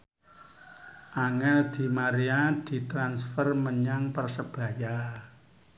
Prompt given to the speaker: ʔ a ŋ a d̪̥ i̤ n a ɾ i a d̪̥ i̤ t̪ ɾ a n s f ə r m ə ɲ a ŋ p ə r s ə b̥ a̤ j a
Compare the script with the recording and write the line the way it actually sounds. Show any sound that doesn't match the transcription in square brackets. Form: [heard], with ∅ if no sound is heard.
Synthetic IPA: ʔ a ŋ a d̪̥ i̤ [m] a ɾ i a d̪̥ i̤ t̪ ɾ a n s f ə r m ə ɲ a ŋ p ə r s ə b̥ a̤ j a

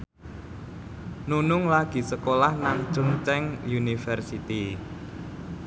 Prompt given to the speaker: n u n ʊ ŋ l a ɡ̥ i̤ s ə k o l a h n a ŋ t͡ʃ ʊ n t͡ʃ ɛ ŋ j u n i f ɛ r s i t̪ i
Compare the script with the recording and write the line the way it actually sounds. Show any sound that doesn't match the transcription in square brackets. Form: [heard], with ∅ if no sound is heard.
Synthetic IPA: n u n ʊ ŋ l a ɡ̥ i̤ s ə k o l a h n a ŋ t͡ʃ ʊ [ŋ] t͡ʃ ɛ ŋ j u n i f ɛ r s i t̪ i

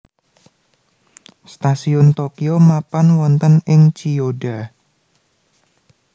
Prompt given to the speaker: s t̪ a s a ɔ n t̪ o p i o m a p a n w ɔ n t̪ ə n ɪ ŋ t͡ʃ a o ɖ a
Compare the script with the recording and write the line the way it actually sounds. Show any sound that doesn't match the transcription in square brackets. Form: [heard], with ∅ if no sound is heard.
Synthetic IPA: s t̪ a s [i] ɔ n t̪ o [k] i o m a p a n w ɔ n t̪ ə n ɪ ŋ t͡ʃ [i] o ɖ a

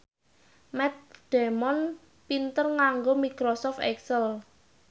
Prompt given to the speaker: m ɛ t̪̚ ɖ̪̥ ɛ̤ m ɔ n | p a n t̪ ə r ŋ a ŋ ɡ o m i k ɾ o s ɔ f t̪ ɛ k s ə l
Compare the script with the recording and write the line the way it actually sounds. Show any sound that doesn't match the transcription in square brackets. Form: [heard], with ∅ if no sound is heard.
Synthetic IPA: m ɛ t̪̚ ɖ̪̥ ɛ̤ m ɔ n | p [i] n t̪ ə r ŋ a ŋ ɡ o m i k ɾ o s ɔ f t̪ ɛ k s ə l

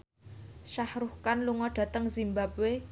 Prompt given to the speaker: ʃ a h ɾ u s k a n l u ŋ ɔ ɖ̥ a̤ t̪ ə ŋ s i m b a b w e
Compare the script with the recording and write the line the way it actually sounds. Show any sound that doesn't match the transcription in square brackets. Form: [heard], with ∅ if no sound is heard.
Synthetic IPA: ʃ a h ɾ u [h] k a n l u ŋ ɔ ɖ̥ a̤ t̪ ə ŋ [z] i m b a b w e

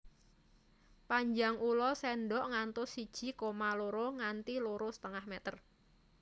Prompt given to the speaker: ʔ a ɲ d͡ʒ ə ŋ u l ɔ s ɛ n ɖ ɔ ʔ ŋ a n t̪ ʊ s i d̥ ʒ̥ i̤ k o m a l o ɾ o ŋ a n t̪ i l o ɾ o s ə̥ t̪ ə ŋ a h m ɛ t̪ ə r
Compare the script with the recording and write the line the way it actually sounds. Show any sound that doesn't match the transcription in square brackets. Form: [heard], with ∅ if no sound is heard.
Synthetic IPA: [p] a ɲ d͡ʒ [a] ŋ u l ɔ s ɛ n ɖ ɔ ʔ ŋ a n t̪ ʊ s i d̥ ʒ̥ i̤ k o m a l o ɾ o ŋ a n t̪ i l o ɾ o s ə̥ t̪ ə ŋ a h m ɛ t̪ ə r

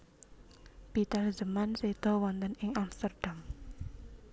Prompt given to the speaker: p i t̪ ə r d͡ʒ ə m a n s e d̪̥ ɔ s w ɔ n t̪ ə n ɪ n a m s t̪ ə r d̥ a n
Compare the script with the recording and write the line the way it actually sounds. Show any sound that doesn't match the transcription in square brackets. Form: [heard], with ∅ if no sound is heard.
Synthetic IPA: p i t̪ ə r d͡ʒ ə m a n s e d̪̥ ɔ [∅] w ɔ n t̪ ə n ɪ [ŋ] a m s t̪ ə r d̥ a [m]

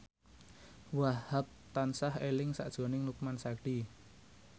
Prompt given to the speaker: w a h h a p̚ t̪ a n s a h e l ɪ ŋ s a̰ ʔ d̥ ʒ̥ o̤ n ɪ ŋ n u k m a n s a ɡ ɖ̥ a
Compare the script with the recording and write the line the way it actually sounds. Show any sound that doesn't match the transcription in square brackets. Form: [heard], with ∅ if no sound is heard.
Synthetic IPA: w a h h a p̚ t̪ a n s a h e l ɪ ŋ s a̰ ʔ d̥ ʒ̥ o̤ n ɪ ŋ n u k m a n s a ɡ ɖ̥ [i]

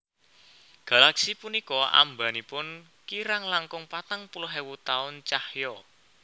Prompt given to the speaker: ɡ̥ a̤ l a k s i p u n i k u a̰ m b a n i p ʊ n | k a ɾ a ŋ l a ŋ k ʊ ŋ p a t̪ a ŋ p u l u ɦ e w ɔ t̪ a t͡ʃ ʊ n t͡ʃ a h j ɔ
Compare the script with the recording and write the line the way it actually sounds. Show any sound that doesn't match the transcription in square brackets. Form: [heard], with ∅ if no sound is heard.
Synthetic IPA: ɡ̥ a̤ l a k s i p u n i k [ɔ] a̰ m b a n i p ʊ n | k [i] ɾ a ŋ l a ŋ k ʊ ŋ p a t̪ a ŋ p u l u ɦ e w [u] t̪ a [∅] ʊ n t͡ʃ a h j ɔ

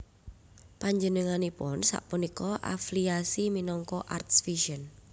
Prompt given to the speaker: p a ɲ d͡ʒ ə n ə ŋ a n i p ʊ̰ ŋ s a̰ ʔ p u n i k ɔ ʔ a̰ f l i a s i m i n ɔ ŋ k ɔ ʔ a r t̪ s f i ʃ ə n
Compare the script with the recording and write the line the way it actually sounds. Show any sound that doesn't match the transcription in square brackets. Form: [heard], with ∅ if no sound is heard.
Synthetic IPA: p a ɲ d͡ʒ ə n ə ŋ a n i p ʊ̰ [n] s a̰ ʔ p u n i k ɔ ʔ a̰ f l i a s i m i n ɔ ŋ k ɔ ʔ a r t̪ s f i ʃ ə n

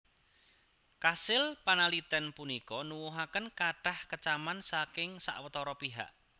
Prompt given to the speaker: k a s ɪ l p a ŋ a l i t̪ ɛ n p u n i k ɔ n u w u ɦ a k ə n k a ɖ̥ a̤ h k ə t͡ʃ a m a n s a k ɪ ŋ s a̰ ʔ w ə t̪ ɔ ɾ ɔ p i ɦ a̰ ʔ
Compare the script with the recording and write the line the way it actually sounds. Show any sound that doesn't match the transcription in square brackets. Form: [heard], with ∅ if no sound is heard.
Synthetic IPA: k a s ɪ l p a [n] a l i t̪ ɛ n p u n i k ɔ n u w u ɦ a k ə n k a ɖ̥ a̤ h k ə t͡ʃ a m a n s a k ɪ ŋ s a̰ ʔ w ə t̪ ɔ ɾ ɔ p i ɦ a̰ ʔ

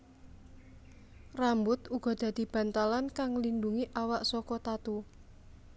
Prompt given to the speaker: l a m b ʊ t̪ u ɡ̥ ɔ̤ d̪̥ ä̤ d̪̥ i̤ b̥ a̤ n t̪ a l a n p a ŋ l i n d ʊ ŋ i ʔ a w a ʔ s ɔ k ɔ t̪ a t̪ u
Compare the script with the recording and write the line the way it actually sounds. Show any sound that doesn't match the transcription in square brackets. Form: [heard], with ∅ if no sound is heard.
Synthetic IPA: [r] a m b ʊ t̪ u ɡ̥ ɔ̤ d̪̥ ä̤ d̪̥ i̤ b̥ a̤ n t̪ a l a n [k] a ŋ l i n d [u] ŋ i ʔ a w a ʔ s ɔ k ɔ t̪ a t̪ u

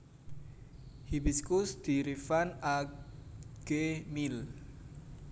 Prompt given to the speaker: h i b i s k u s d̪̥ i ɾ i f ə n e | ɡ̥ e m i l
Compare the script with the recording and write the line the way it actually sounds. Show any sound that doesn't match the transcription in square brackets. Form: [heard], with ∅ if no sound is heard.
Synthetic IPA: h i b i s k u s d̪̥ i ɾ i f [a] n [a] | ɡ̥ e m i l

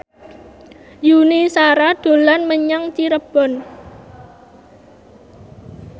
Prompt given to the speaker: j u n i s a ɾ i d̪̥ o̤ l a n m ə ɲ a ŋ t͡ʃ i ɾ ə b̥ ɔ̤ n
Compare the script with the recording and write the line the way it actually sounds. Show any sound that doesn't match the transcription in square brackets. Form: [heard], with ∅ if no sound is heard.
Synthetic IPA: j u n i s a ɾ [a] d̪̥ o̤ l a n m ə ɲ a ŋ t͡ʃ i ɾ ə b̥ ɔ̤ n

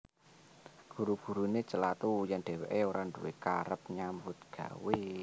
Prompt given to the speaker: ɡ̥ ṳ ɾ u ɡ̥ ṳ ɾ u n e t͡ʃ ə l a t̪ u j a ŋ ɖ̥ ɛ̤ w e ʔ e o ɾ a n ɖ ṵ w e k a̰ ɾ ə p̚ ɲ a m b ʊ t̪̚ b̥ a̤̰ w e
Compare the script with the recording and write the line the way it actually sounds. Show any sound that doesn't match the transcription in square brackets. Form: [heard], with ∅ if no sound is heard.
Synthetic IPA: ɡ̥ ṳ ɾ u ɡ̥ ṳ ɾ u n e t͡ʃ ə l a t̪ u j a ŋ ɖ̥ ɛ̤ w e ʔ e o ɾ a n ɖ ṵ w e k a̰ ɾ ə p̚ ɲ a m b ʊ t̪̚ [ɡ̥] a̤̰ w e

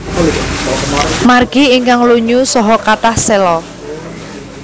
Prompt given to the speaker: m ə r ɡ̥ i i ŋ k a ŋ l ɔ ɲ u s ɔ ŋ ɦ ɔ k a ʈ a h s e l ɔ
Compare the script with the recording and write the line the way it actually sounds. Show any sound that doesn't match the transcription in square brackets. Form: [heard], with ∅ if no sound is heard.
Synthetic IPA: m [a] r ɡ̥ i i ŋ k a ŋ l [u] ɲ u s ɔ [∅] ɦ ɔ k a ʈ a h s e l ɔ

